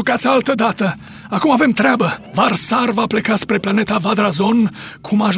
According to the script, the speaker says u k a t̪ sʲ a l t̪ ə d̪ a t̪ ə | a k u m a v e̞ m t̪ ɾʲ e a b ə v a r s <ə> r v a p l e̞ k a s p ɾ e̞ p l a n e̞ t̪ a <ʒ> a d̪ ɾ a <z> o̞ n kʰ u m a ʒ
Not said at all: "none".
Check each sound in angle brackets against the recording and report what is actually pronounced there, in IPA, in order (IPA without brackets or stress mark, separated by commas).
a, v, z